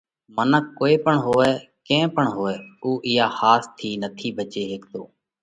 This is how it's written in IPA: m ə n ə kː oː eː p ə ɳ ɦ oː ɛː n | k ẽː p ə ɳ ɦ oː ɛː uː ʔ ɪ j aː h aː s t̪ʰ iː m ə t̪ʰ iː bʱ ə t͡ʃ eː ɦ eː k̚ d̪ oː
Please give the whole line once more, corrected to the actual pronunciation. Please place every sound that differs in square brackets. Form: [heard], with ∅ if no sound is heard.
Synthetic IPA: m ə n ə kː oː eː p ə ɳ ɦ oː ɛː [∅] | k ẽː p ə ɳ ɦ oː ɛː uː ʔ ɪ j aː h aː s t̪ʰ iː [n] ə t̪ʰ iː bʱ ə t͡ʃ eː ɦ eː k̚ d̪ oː